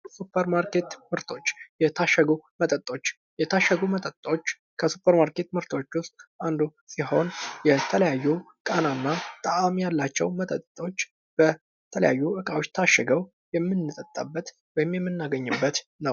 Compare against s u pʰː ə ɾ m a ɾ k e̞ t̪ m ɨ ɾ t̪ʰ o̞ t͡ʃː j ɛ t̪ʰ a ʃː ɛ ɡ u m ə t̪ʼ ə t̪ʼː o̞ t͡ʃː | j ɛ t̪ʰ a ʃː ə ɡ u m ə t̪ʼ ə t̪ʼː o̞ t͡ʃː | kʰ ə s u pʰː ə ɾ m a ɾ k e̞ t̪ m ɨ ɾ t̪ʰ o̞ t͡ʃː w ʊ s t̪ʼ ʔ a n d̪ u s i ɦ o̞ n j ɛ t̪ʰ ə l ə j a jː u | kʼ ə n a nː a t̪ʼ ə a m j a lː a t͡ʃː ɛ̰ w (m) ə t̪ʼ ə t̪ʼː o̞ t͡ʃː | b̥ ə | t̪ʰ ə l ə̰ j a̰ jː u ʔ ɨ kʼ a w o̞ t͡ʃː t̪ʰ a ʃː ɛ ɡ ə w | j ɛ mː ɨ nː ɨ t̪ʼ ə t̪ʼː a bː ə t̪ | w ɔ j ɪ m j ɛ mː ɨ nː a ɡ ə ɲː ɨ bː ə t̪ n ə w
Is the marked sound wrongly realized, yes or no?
no